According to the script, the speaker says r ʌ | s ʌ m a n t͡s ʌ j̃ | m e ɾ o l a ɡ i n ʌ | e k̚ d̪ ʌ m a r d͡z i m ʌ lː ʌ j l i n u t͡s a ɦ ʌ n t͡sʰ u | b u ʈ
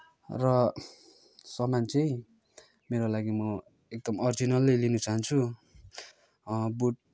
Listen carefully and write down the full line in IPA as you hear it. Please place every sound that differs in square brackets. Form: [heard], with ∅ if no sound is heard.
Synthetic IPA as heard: r ʌ | s ʌ m a n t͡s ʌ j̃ | m e ɾ o l a ɡ i [m] ʌ | e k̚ d̪ ʌ m [ʌ] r d͡z i [n] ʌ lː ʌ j l i n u t͡s a ɦ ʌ n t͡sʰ u | b u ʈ